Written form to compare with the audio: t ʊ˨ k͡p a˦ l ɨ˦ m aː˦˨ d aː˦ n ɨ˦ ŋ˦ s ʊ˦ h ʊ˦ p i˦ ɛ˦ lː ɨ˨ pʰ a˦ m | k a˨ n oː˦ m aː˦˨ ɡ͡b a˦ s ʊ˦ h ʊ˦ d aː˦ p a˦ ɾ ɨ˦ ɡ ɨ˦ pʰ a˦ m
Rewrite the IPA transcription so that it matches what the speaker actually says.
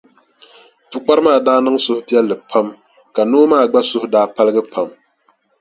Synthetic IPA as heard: t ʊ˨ k͡p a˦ ɾ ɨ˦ m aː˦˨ d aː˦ n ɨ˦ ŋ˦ s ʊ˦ h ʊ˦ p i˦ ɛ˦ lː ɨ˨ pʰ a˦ m | k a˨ n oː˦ m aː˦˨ ɡ͡b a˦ s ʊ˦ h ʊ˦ d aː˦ p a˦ l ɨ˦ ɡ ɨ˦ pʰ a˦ m